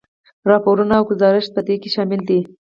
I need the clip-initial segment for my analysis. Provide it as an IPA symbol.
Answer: ɾ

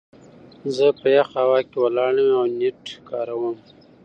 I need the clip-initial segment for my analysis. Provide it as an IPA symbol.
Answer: z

